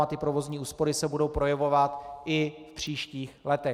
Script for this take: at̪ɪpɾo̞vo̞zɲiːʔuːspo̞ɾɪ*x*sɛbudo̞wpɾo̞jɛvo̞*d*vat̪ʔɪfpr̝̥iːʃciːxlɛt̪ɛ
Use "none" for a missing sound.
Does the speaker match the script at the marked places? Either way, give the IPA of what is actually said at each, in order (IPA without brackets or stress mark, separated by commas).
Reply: none, none